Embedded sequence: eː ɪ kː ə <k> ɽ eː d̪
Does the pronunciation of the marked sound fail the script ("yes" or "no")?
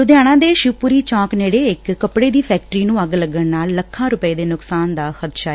yes